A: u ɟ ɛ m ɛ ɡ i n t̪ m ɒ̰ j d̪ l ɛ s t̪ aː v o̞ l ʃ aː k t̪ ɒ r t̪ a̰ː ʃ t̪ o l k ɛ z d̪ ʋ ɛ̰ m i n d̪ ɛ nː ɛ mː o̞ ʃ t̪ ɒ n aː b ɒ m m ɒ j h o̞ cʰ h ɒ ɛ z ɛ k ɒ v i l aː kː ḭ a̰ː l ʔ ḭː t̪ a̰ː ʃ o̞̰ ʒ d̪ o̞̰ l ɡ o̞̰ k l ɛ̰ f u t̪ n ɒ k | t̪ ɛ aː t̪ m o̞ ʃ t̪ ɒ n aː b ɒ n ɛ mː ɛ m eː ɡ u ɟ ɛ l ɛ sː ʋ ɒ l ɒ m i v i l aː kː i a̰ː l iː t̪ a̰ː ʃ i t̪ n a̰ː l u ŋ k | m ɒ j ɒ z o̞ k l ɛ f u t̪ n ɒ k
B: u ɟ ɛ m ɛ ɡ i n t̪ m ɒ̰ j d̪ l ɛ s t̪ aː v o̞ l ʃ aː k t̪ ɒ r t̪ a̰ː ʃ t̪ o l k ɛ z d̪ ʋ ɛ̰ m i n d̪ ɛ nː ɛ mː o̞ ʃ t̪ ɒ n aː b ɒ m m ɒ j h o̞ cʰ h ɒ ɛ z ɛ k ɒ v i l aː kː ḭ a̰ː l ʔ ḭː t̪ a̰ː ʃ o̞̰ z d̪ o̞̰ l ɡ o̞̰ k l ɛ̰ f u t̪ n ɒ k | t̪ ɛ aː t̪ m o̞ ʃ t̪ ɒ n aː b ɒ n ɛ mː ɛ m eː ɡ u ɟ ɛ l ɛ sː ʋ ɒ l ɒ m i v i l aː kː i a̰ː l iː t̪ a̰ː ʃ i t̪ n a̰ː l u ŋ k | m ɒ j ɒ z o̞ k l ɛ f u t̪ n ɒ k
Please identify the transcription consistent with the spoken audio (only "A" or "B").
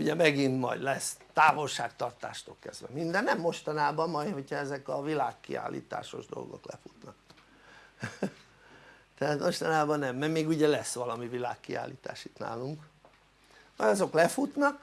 A